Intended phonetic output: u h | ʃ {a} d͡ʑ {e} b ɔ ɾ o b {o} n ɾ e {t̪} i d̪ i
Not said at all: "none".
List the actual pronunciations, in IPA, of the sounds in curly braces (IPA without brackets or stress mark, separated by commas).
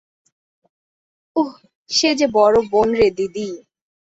e, e, o, d̪